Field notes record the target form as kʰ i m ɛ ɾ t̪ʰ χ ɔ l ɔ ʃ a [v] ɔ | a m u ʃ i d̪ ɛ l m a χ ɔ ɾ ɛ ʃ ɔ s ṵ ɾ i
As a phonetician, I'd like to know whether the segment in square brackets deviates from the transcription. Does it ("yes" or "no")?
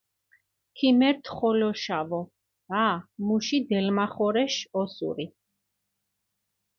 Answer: no